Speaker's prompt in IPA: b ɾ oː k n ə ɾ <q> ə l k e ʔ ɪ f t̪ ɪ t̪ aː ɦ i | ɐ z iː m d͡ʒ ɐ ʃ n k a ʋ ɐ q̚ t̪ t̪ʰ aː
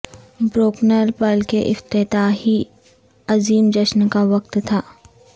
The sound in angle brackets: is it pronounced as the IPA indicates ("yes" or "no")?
no